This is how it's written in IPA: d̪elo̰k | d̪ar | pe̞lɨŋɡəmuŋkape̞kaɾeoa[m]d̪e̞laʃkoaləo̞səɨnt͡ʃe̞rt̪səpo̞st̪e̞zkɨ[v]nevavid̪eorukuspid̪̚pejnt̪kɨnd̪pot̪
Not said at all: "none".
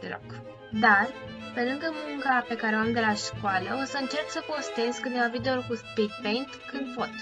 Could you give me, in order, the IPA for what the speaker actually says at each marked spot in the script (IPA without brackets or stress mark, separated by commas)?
m, none